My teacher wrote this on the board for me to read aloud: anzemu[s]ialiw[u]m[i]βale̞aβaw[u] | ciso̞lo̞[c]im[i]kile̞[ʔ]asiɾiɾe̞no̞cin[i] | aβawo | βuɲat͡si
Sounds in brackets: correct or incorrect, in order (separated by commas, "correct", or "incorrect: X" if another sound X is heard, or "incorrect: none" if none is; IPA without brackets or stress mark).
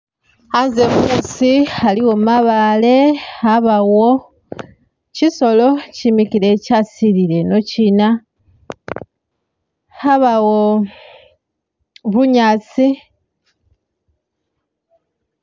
correct, incorrect: o, incorrect: a, incorrect: o, correct, correct, incorrect: c, incorrect: a